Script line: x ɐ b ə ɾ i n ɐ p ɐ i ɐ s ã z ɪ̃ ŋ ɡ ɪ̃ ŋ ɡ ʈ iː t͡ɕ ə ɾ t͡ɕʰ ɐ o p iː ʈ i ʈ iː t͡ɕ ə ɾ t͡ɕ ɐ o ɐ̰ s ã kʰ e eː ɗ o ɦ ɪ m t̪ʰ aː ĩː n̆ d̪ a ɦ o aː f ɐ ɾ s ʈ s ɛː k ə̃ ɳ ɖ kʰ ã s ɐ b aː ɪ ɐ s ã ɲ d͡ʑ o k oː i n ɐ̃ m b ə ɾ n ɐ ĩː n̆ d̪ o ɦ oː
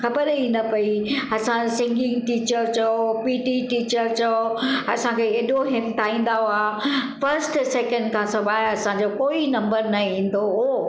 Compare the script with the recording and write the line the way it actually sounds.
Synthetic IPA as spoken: x ɐ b ə ɾ i n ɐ p ɐ i ɐ s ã s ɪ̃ ŋ ɡ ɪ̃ ŋ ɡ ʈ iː t͡ɕ ə ɾ t͡ɕ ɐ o p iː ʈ i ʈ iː t͡ɕ ə ɾ t͡ɕ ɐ o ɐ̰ s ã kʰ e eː ɗ o ɦ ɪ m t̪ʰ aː ĩː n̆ d̪ a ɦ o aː f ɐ ɾ s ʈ s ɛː k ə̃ ɳ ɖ kʰ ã s ɐ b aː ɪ ɐ s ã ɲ d͡ʑ o k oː i n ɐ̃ m b ə ɾ n ɐ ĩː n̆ d̪ o ɦ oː